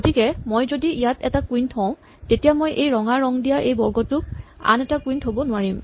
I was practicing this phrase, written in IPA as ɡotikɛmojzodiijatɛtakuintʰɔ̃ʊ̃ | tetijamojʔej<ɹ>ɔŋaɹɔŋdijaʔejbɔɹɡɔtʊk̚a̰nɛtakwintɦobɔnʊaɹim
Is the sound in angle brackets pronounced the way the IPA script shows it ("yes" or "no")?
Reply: yes